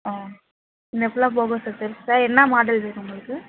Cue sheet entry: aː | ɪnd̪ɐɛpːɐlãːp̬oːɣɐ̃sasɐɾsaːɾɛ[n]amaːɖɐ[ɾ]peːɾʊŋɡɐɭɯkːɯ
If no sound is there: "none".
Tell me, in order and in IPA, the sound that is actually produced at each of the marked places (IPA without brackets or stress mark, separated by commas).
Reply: nː, l